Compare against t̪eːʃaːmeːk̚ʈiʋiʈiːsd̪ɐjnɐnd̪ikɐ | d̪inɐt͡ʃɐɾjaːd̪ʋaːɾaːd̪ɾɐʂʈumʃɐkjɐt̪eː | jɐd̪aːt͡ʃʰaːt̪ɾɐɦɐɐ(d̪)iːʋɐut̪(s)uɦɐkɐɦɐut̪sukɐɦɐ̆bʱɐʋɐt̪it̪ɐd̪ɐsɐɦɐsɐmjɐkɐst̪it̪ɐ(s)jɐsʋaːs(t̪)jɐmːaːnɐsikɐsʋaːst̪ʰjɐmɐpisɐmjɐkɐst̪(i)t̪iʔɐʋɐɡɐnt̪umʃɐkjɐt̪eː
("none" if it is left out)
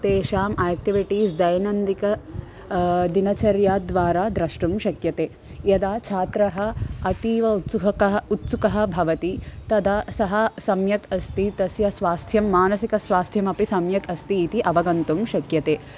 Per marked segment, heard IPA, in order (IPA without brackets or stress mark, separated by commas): t̪, s, s, t̪ʰ, iː